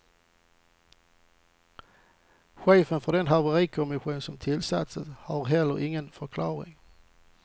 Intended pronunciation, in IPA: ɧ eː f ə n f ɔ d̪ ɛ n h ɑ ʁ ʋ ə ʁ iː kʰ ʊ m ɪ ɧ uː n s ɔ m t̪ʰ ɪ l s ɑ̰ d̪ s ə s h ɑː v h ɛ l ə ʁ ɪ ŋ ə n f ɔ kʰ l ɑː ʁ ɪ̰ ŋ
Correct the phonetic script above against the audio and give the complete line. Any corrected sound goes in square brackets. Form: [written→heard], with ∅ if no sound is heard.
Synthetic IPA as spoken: ɧ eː f ə n f ɔ d̪ ɛ n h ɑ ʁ ʋ ə ʁ iː kʰ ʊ m ɪ ɧ uː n s ɔ m t̪ʰ ɪ l s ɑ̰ [d̪→t̪] s ə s h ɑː [v→ʁ] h ɛ l ə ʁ ɪ ŋ ə n f ɔ kʰ l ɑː ʁ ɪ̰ ŋ